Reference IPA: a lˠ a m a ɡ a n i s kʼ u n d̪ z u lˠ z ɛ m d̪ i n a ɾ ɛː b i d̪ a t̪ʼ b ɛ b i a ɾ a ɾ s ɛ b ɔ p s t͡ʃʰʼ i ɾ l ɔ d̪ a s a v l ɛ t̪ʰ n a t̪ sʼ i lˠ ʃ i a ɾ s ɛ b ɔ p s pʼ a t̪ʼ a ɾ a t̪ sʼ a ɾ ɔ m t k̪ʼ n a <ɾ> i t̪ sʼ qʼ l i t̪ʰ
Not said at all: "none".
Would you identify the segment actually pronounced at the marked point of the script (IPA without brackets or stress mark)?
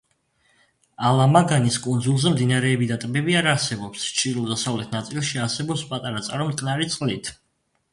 ɾ